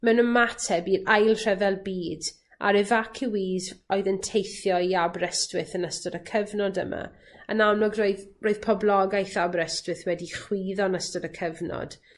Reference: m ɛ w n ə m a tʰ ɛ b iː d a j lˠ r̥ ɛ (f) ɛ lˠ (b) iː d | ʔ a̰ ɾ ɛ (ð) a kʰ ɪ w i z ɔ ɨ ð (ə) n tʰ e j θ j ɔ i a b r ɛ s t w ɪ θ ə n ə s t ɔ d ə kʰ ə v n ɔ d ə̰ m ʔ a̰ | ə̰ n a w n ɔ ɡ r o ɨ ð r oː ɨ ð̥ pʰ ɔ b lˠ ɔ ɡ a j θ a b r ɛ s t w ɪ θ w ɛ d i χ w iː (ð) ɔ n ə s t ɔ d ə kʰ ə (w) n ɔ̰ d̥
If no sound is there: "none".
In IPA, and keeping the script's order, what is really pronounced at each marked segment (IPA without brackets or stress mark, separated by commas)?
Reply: v, b, v, ə, ð, v